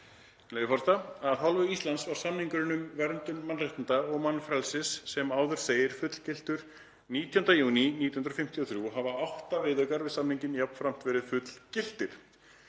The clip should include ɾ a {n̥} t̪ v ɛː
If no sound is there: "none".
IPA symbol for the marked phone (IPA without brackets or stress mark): m̥